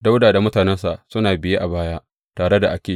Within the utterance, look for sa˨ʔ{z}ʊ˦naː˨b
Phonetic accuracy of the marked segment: incorrect: s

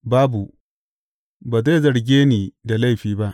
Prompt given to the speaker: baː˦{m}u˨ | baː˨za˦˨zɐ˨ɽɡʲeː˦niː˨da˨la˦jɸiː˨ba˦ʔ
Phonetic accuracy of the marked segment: incorrect: b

